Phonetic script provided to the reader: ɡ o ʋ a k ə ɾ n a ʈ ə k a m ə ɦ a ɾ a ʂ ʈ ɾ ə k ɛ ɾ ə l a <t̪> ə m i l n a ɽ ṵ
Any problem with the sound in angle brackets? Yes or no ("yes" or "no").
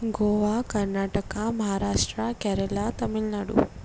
no